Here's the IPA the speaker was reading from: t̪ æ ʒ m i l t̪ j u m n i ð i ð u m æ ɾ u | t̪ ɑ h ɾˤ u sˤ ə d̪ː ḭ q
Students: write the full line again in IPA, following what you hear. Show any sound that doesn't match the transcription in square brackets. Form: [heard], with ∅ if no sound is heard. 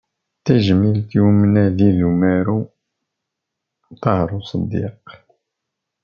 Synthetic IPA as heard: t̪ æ ʒ m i l t̪ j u m n [æ] ð i ð u m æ ɾ u | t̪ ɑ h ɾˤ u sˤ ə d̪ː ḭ q